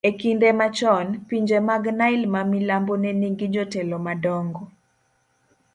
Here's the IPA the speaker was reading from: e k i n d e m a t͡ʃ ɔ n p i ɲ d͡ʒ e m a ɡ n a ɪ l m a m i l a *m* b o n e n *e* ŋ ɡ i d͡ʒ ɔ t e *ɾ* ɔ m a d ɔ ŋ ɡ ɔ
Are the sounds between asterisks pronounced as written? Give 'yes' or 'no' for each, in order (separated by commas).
yes, no, no